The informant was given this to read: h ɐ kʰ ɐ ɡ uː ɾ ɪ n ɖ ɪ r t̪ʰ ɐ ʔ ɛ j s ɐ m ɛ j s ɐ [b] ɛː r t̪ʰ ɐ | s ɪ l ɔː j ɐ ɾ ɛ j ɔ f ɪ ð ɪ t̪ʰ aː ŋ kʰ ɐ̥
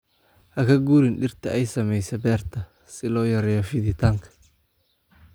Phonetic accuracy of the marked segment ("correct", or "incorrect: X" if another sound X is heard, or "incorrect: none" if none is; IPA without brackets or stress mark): correct